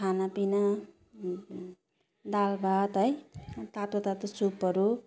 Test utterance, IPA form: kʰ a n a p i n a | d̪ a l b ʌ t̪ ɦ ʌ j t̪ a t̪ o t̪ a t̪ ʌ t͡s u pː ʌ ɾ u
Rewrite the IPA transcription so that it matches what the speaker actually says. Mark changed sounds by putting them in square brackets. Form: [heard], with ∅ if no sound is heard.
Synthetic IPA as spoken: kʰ a n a p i n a | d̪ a l b [a] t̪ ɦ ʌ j t̪ a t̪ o t̪ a t̪ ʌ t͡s u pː ʌ ɾ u

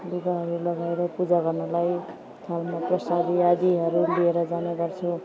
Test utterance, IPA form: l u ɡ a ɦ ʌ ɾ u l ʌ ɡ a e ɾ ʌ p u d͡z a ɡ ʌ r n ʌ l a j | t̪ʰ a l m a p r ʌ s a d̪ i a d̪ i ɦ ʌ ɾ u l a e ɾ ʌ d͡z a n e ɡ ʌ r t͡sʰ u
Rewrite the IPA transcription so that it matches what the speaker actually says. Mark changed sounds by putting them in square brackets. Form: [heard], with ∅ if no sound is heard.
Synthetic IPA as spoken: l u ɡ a ɦ ʌ ɾ u l ʌ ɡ a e ɾ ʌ p u d͡z a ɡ ʌ r n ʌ l a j | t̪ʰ a l m a p r ʌ s a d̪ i a d̪ i ɦ ʌ ɾ u l [i] e ɾ ʌ d͡z a n e ɡ ʌ r t͡sʰ u

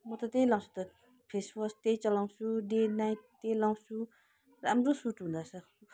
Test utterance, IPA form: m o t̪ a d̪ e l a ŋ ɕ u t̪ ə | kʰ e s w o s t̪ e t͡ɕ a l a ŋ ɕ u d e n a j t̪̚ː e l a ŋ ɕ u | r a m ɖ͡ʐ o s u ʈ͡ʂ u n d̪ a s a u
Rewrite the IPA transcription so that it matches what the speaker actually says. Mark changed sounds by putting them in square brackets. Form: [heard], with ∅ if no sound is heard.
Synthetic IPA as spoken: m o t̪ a [t̪] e l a ŋ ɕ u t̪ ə | [pʰ] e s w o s t̪ e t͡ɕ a l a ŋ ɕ u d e n a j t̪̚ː e l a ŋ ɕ u | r a m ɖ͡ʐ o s u ʈ͡ʂ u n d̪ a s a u

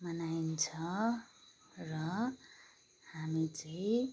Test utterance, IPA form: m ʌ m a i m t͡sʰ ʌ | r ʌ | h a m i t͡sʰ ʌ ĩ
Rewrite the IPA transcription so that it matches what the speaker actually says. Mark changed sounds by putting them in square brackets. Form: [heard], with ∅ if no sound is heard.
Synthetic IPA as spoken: m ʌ [n] a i [n] t͡sʰ ʌ | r ʌ | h a m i [t͡s] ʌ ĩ

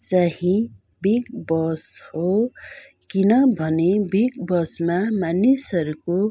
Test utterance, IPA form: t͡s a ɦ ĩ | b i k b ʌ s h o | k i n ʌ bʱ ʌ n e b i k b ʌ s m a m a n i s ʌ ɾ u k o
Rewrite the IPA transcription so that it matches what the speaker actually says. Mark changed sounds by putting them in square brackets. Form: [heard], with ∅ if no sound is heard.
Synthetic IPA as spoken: t͡s a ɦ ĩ | b i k b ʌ s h o | k i n ʌ bʱ ʌ n e b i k b ʌ s m a m a n i s ʌ ɾ u k o

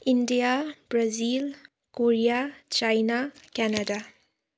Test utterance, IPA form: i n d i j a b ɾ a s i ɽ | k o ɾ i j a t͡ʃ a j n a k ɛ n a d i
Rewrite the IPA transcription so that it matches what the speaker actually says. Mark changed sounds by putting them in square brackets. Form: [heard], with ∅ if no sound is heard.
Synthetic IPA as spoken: i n d i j a b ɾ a [z] i [l] | k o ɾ i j a t͡ʃ a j n a k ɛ n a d [a]

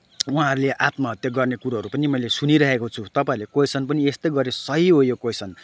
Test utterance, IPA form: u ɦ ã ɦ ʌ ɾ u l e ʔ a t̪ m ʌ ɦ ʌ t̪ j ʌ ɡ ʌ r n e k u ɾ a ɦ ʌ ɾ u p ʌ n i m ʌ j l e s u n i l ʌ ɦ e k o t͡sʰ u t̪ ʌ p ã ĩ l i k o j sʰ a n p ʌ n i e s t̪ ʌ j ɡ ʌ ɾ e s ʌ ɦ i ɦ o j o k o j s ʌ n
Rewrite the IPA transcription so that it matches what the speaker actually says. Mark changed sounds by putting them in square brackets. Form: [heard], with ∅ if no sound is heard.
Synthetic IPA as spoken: u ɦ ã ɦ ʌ ɾ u l e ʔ a t̪ m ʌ ɦ ʌ t̪ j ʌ ɡ ʌ r n e k u ɾ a ɦ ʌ ɾ u p ʌ n i m ʌ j l e s u n i [ɾ] ʌ ɦ e k o t͡sʰ u t̪ ʌ p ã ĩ l [e] k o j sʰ [ʌ] n p ʌ n i e s t̪ ʌ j ɡ ʌ ɾ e s ʌ ɦ i ɦ o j o k o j s ʌ n

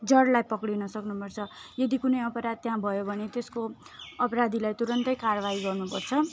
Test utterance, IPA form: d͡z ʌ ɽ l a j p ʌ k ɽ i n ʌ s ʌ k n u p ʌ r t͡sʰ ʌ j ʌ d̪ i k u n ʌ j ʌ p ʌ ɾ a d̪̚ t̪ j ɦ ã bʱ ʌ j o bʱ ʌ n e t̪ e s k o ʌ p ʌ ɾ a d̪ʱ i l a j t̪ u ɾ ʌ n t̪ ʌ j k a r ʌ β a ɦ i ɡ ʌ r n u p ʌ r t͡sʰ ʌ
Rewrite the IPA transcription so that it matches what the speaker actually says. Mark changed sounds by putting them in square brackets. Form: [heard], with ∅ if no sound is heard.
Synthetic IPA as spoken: d͡z ʌ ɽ l a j p ʌ k ɽ i n ʌ s ʌ k n u p ʌ r t͡sʰ ʌ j ʌ d̪ i k u n ʌ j ʌ p ʌ ɾ a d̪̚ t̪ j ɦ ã bʱ ʌ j o bʱ ʌ n e t̪ e s k o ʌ p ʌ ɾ a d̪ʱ i l a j t̪ u ɾ ʌ n t̪ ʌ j k a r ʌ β a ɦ i ɡ ʌ r n u p ʌ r t͡sʰ ʌ

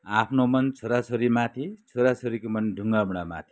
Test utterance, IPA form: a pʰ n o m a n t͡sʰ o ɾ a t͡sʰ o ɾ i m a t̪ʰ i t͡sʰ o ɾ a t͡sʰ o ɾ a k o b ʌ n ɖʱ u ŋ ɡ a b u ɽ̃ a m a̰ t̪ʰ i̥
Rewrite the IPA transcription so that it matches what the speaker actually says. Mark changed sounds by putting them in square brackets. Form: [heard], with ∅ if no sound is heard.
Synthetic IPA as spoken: a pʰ n o m [ʌ] n t͡sʰ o ɾ a t͡sʰ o ɾ i m a t̪ʰ i t͡sʰ o ɾ a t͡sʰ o ɾ [i] k o [m] ʌ n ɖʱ u ŋ ɡ a b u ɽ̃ a m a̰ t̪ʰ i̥

